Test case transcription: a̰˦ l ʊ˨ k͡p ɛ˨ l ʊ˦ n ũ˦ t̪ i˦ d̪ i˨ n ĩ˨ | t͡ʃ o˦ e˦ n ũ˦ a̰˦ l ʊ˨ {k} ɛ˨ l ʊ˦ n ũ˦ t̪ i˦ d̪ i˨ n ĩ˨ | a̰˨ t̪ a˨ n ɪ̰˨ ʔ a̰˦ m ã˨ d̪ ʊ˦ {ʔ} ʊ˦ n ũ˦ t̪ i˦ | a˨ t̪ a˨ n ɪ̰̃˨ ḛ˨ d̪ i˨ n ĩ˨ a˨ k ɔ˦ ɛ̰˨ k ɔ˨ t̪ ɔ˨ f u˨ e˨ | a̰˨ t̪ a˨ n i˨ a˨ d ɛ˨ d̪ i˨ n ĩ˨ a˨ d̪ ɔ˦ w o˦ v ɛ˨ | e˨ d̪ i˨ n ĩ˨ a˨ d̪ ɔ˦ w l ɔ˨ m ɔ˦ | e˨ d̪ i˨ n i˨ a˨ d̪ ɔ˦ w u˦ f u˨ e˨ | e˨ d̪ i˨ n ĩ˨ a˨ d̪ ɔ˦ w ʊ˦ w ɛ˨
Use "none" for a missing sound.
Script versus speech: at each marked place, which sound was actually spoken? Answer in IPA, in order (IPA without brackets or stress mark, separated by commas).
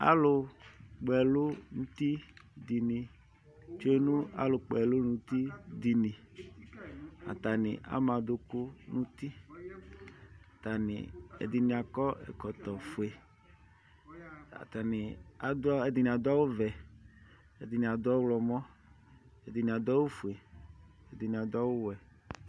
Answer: k͡p, k